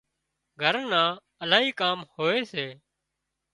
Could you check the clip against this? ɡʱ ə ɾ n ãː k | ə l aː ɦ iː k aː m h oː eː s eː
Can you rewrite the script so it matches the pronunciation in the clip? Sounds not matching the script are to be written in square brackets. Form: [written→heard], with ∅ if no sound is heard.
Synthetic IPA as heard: ɡʱ ə ɾ n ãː [k→∅] | ə l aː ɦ iː k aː m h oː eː s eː